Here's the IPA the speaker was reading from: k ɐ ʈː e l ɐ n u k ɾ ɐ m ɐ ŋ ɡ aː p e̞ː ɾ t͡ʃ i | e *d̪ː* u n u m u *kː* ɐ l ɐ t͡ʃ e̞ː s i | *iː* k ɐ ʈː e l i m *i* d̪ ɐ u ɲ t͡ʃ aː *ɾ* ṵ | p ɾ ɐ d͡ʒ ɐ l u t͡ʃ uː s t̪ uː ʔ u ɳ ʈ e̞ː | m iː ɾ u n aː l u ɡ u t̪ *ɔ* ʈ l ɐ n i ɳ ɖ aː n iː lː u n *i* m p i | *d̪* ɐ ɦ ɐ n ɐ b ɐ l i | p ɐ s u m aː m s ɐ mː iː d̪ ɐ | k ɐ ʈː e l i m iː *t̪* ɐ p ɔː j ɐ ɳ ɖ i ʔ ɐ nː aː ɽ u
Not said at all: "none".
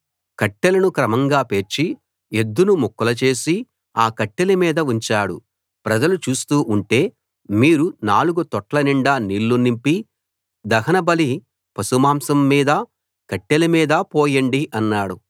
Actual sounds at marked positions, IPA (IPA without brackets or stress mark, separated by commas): d̪ː, kː, aː, iː, ɽ, ɔ, i, d̪, d̪